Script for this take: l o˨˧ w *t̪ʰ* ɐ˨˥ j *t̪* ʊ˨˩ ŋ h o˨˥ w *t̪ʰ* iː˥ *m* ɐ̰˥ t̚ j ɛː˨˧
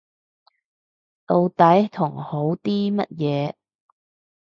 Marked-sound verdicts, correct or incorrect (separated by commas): incorrect, incorrect, incorrect, correct